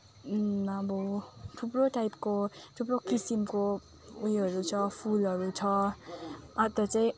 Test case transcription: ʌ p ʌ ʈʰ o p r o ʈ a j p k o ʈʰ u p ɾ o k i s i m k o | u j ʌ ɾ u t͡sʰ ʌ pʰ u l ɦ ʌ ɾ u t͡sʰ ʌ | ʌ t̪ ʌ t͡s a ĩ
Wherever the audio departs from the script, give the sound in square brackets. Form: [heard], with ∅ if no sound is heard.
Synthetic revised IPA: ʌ [b] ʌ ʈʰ [u] p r o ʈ a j p k o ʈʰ u p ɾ o k i s i m k o | u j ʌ ɾ u t͡sʰ ʌ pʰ u l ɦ ʌ ɾ u t͡sʰ ʌ | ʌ t̪ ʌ t͡s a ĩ